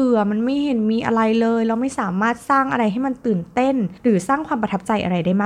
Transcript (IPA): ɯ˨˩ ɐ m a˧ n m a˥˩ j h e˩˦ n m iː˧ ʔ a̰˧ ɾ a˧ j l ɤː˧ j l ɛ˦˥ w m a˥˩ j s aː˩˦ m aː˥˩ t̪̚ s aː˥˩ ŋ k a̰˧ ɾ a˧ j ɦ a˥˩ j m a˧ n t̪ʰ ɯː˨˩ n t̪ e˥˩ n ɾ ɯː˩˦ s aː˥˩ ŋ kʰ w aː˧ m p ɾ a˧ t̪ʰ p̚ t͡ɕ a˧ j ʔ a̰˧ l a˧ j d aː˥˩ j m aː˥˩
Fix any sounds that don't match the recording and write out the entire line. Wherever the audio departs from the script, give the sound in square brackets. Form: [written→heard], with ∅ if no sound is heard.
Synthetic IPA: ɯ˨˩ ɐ m a˧ n m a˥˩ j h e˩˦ n m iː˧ ʔ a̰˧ ɾ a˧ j l ɤː˧ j l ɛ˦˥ w m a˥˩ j s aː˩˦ m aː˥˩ t̪̚ s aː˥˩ ŋ [k→ʔ] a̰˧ ɾ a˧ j ɦ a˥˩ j m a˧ n [t̪ʰ→t̪] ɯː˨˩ n t̪ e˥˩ n ɾ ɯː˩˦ s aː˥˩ ŋ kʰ w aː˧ m p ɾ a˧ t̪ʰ p̚ t͡ɕ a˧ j ʔ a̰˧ [l→ɾ] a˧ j d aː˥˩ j m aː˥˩